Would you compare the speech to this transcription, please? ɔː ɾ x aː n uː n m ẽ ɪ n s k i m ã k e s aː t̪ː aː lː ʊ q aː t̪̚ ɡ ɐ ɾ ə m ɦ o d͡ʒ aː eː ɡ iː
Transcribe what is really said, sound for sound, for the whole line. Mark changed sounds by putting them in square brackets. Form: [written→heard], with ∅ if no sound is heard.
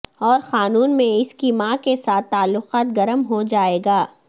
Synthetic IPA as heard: ɔː ɾ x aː n uː n m ẽ ɪ [n→∅] s k i m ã k e s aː t̪ː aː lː ʊ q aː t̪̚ ɡ ɐ ɾ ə m ɦ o d͡ʒ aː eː ɡ [iː→aː]